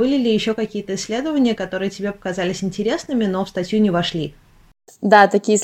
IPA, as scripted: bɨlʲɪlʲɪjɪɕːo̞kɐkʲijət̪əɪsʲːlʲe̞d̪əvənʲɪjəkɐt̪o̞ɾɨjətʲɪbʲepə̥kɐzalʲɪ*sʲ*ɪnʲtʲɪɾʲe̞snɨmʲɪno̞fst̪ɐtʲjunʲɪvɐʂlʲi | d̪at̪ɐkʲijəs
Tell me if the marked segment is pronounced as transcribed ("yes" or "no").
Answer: yes